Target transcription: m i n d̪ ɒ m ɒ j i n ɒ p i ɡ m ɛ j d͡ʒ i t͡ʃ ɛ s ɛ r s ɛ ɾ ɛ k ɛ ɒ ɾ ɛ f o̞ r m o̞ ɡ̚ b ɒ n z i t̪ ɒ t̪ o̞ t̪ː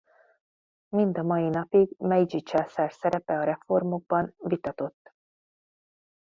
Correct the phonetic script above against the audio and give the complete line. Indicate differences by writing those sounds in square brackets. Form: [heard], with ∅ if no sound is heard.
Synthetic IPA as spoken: m i n d̪ ɒ m ɒ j i n ɒ p i ɡ m ɛ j d͡ʒ i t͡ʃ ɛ s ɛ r s ɛ ɾ ɛ [p] ɛ ɒ ɾ ɛ f o̞ r m o̞ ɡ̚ b ɒ n [v] i t̪ ɒ t̪ o̞ t̪ː

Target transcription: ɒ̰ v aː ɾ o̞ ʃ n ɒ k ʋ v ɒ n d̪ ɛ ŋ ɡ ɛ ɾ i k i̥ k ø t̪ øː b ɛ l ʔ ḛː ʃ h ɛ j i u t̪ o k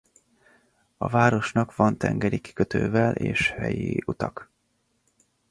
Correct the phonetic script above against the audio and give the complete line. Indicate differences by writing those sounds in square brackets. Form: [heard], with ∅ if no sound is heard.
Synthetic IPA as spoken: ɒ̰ v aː ɾ o̞ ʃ n ɒ k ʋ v ɒ n [t̪] ɛ ŋ ɡ ɛ ɾ i k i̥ k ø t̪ øː [v] ɛ l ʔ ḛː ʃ h ɛ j i u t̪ [ɒ] k

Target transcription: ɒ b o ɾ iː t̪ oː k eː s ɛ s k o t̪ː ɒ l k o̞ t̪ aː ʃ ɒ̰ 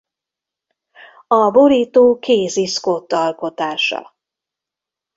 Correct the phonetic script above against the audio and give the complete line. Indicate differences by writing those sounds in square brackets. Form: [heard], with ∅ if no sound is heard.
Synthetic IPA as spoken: ɒ b o ɾ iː t̪ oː k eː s [i] s k o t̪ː ɒ l k o̞ t̪ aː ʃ ɒ̰

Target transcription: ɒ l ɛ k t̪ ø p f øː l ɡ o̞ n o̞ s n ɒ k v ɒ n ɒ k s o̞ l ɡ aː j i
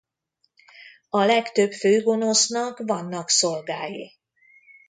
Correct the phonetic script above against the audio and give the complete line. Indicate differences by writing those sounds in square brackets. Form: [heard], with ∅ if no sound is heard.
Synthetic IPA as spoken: ɒ l ɛ k t̪ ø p f øː [∅] ɡ o̞ n o̞ s n ɒ k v ɒ [nː] ɒ k s o̞ l ɡ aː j i

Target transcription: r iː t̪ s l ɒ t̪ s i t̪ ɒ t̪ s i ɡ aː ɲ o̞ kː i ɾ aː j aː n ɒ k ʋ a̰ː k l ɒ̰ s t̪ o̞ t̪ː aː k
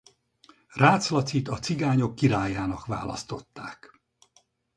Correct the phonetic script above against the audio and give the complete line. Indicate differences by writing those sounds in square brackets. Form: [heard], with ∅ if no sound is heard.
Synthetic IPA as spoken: r [aː] t̪ s l ɒ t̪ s i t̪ ɒ t̪ s i ɡ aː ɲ o̞ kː i ɾ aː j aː n ɒ k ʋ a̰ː [∅] l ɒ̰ s t̪ o̞ t̪ː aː k

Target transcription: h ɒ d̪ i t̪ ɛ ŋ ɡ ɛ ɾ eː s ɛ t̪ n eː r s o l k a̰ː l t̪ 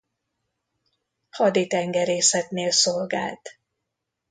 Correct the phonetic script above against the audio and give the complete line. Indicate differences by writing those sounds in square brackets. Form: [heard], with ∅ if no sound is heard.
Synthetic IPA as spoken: h ɒ d̪ i t̪ ɛ ŋ ɡ ɛ ɾ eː s ɛ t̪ n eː [l] s o l [ɡ] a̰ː l t̪

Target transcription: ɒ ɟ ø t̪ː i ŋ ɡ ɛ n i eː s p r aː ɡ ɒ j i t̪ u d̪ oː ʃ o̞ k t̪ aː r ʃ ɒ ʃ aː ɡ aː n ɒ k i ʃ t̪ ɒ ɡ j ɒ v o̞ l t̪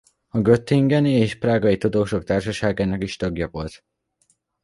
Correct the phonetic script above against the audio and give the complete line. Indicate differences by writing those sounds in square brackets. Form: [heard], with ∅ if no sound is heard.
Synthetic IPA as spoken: ɒ [ɡ] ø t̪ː i ŋ ɡ ɛ n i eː [ʃ] p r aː ɡ ɒ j i t̪ u d̪ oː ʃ o̞ k t̪ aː r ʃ ɒ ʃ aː ɡ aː n ɒ k i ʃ t̪ ɒ ɡ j ɒ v o̞ l t̪

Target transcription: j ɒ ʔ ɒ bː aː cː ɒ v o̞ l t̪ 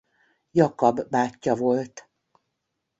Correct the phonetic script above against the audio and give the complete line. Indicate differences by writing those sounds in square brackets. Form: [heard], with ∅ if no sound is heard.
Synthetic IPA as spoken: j ɒ [k] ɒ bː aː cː ɒ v o̞ l t̪

